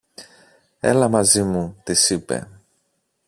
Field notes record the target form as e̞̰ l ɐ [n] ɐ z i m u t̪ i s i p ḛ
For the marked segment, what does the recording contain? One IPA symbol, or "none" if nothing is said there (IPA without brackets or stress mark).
m